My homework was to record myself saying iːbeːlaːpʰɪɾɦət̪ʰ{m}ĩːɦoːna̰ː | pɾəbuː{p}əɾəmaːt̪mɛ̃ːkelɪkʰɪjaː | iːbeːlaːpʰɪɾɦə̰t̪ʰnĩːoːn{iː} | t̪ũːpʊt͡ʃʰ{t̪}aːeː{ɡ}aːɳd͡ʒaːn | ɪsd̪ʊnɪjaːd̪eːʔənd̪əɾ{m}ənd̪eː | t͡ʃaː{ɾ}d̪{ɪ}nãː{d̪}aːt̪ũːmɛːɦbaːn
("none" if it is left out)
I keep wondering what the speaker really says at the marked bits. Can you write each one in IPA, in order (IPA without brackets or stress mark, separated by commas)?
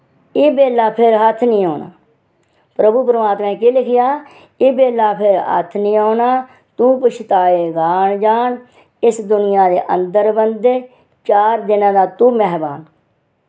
n, p, aː, t̪, ɡ, b, ɾ, ɪ, d̪